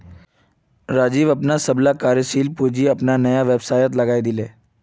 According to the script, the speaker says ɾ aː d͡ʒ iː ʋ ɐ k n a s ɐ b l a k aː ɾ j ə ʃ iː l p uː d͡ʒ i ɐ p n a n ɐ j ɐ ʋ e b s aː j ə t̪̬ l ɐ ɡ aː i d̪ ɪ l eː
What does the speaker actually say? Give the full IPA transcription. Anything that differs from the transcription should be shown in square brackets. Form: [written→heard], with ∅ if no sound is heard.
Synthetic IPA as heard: ɾ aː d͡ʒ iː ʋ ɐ [k→p] n a s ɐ b l a k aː ɾ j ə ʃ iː l p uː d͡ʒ i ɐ p n a n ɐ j [ɐ→a] ʋ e b s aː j ə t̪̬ l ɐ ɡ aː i d̪ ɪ l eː